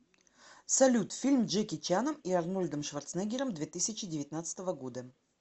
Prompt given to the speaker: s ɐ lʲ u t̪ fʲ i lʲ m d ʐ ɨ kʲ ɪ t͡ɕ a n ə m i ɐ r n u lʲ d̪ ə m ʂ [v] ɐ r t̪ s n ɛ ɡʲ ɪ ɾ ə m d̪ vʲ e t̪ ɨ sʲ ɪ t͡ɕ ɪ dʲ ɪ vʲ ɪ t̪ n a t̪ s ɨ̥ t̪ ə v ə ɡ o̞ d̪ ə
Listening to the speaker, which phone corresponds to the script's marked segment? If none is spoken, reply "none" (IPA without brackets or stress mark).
v